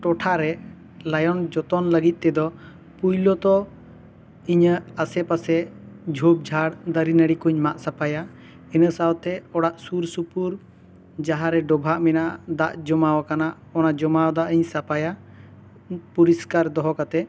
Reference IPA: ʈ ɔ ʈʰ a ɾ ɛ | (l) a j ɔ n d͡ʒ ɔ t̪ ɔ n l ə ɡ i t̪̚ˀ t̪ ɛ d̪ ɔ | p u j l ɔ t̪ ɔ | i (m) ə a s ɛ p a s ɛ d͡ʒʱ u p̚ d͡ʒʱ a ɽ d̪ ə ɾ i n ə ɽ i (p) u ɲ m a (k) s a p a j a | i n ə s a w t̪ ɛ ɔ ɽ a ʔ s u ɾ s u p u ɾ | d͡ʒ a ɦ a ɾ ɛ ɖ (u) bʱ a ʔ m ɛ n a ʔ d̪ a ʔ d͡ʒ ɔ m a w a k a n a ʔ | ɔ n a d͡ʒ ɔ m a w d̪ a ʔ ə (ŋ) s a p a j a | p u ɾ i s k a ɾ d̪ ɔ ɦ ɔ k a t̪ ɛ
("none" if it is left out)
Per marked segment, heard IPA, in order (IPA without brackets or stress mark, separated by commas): l, ɲ, k, ʔ, ɔ, ɲ